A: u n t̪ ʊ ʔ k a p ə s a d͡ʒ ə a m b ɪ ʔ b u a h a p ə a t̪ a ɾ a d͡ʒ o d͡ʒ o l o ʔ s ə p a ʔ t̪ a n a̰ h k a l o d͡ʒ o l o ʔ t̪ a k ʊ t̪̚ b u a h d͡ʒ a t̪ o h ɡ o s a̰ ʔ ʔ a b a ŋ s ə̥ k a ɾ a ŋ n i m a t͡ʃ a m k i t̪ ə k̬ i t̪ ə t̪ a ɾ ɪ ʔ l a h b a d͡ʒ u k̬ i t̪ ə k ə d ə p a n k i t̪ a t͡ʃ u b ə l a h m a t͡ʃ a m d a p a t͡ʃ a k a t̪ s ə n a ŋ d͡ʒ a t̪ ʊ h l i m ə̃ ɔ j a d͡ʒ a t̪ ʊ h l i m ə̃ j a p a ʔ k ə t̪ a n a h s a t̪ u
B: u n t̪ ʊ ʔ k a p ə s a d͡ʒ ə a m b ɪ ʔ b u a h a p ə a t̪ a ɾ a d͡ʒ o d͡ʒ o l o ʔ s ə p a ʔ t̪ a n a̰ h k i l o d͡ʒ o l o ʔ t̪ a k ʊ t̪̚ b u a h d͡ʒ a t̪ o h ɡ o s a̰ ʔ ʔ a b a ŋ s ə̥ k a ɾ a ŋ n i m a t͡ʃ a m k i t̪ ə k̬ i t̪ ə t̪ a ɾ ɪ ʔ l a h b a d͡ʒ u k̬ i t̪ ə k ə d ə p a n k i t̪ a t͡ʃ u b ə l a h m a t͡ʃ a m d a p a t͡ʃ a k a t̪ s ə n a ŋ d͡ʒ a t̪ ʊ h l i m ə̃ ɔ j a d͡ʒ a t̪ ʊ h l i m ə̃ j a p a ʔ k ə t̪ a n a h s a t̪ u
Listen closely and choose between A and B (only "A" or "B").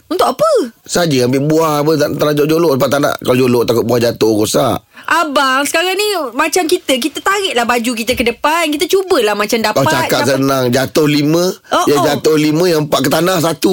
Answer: A